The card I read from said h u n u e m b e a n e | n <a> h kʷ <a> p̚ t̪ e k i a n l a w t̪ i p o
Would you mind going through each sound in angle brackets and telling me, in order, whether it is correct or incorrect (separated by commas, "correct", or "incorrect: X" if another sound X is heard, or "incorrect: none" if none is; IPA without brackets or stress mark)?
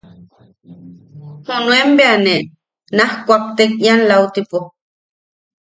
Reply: correct, correct